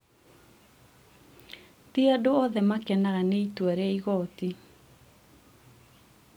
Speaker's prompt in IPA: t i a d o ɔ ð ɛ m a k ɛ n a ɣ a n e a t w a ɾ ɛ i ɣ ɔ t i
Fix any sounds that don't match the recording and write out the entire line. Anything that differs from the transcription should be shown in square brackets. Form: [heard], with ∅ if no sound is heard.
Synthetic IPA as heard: t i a d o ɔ ð ɛ m a k ɛ n a ɣ a n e [i] t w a ɾ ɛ i ɣ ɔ t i